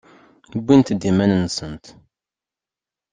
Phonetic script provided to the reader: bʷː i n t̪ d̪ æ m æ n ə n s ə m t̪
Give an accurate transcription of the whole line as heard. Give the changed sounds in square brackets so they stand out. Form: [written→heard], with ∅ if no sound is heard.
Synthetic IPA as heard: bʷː i n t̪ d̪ [æ→i] m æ n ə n s ə [m→n] t̪